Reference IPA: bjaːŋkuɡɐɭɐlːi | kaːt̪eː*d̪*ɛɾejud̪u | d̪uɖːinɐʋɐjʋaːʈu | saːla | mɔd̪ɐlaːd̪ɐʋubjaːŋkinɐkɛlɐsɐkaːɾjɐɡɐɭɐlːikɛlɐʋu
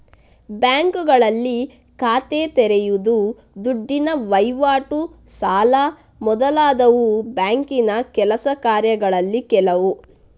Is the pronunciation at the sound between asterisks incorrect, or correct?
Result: incorrect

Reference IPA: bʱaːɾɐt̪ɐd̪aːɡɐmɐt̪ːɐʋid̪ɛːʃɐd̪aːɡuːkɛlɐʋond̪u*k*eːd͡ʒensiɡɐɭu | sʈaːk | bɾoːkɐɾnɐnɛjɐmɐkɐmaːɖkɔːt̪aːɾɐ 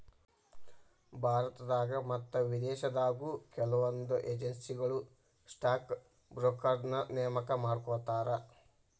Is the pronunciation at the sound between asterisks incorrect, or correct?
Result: incorrect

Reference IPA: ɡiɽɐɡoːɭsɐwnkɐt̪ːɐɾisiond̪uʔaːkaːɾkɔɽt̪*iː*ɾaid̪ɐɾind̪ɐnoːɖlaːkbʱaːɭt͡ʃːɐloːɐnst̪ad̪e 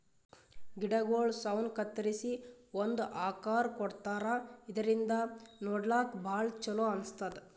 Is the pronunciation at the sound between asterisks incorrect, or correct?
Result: incorrect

